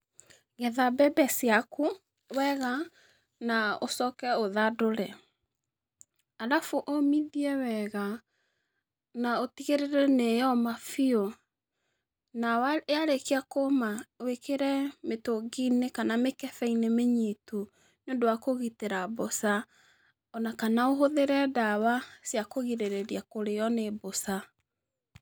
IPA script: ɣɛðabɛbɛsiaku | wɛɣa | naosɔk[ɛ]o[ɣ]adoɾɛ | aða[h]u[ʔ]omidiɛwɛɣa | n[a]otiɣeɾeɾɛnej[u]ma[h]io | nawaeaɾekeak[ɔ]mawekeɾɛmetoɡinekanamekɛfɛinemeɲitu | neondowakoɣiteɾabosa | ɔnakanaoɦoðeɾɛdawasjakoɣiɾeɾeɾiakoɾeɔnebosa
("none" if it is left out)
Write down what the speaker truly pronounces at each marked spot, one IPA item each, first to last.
ɛ, ð, f, ʔ, a, ɔ, f, o

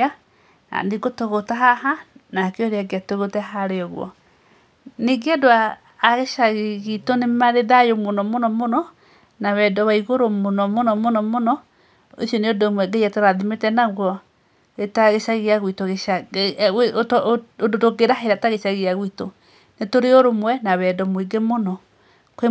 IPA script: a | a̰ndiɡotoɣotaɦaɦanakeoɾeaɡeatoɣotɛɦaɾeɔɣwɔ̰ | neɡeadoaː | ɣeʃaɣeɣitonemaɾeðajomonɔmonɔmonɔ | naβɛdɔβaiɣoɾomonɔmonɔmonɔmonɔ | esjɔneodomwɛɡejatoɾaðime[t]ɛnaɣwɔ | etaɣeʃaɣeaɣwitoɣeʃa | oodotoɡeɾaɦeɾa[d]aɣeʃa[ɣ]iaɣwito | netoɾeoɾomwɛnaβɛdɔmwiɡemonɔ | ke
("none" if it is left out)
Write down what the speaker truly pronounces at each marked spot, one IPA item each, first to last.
t, t, ɣ

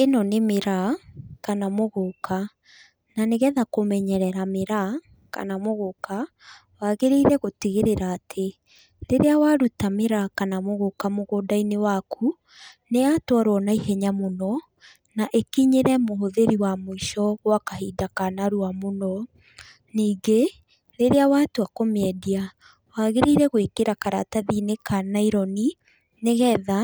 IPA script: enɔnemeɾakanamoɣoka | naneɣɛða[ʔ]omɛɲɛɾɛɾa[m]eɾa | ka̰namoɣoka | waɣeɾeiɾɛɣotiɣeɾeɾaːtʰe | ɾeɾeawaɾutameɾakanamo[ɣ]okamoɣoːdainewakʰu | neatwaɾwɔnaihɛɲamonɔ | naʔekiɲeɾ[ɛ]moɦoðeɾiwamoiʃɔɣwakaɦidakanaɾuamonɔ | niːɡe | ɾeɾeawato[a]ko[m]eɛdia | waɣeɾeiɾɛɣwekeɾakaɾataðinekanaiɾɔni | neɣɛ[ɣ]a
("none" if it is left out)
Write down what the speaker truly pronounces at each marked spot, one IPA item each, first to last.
k, m, ɣ, ɛ, a, m, ð

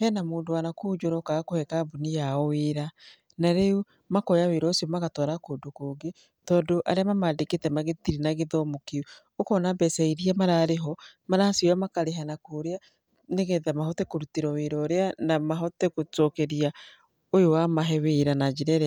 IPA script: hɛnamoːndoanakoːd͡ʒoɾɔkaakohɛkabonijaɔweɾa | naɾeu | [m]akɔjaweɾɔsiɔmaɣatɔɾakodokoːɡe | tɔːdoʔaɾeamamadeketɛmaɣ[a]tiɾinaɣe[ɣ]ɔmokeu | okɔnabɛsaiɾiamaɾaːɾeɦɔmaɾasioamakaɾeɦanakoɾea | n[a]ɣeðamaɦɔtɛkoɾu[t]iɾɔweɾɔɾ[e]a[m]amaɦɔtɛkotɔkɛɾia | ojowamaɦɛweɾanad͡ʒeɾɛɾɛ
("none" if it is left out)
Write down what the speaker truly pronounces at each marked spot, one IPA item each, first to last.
m, e, ð, e, t, e, n

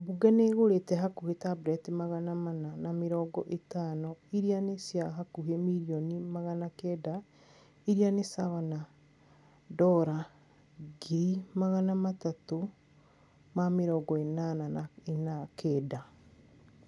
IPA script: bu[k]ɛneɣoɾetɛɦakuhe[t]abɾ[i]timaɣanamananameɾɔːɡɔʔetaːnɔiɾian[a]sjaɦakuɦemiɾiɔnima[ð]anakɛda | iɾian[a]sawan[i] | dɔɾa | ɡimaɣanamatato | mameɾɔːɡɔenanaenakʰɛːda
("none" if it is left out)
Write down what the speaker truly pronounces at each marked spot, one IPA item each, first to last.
ɡ, t, ɛ, e, ɣ, e, a

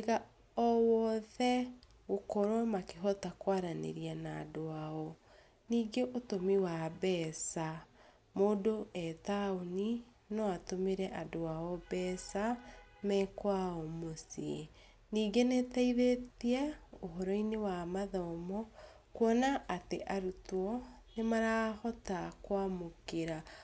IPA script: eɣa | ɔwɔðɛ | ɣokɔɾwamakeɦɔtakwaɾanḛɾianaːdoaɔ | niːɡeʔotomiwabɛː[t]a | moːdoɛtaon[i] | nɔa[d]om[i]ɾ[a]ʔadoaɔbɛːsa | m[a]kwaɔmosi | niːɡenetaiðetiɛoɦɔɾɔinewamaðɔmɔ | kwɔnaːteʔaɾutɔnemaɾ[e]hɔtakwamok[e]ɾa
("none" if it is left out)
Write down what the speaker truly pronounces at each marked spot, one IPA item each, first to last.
s, i, t, e, ɛ, ɛ, a, e

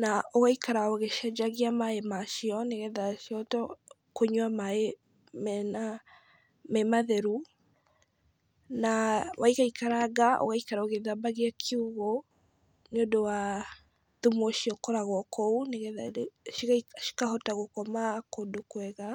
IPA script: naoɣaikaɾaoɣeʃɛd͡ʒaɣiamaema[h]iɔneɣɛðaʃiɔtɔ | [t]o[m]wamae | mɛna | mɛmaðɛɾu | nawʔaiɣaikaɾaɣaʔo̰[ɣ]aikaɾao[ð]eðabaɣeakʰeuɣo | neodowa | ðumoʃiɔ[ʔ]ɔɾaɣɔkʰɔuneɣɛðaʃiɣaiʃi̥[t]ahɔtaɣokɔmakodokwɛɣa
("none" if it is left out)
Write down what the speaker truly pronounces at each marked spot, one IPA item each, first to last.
ʃ, k, ɲ, ɣ, ɣ, k, k

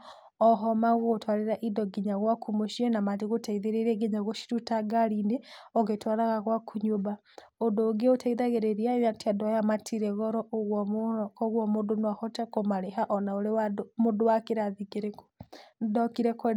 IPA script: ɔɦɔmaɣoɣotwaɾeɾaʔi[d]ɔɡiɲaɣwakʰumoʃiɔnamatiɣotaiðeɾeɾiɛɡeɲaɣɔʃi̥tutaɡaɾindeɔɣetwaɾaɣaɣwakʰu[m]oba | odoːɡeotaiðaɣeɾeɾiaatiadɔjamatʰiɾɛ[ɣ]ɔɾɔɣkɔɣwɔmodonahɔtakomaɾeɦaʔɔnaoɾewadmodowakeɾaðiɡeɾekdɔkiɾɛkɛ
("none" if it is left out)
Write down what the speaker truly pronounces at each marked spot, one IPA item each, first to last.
d, ɲ, ɣ

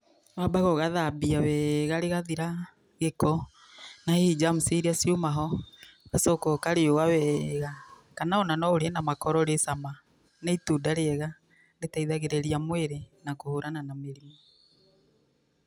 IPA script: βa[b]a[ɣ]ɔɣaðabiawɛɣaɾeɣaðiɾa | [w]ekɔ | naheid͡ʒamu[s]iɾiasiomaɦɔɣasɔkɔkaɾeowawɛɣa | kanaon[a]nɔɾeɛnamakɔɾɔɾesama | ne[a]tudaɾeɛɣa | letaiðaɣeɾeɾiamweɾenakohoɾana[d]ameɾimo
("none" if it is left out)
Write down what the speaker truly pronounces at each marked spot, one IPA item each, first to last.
b, ɣ, ɣ, s, a, i, n

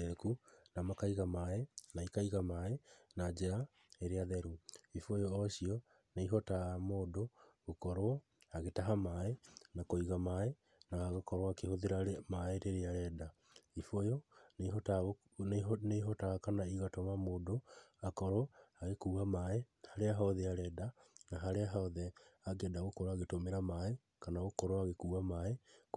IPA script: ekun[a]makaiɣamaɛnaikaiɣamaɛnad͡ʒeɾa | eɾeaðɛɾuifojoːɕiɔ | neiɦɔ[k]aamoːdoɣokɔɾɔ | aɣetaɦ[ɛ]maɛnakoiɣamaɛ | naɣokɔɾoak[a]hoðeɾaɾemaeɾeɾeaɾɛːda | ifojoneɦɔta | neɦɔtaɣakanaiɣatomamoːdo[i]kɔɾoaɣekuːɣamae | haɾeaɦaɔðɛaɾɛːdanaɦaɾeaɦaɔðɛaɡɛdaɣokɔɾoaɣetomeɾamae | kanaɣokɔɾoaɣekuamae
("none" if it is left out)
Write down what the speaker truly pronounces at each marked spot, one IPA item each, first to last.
a, t, a, e, a

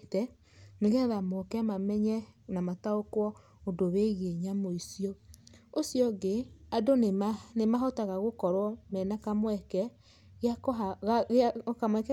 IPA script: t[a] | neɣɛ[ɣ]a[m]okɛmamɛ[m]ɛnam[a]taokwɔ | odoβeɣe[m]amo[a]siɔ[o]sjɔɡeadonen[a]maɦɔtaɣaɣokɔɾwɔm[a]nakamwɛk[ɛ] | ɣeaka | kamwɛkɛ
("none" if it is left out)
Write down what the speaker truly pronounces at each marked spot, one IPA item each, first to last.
ɛ, ð, m, ɲ, a, ɲ, i, o, e, ɛ, ɛ

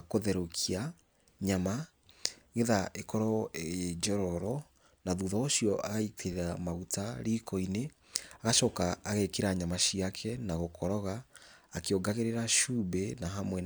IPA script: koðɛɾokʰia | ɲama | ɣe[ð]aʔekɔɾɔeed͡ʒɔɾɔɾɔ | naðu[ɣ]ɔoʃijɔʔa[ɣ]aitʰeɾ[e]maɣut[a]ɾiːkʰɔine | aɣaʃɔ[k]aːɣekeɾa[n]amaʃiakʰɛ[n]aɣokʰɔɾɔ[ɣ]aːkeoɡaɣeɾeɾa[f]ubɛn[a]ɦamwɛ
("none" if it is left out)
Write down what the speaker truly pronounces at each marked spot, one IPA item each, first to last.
ð, ð, ɣ, a, a, k, ɲ, n, ɣ, ʃ, a

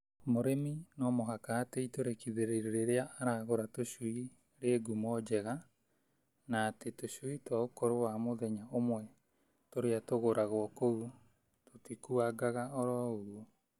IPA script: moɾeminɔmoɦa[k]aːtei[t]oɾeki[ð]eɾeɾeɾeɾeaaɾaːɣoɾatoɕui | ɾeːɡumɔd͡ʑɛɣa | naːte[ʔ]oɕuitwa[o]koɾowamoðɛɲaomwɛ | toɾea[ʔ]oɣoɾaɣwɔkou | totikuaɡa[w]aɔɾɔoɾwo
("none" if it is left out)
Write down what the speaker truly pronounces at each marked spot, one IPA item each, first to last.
k, t, ð, t, o, t, ɣ

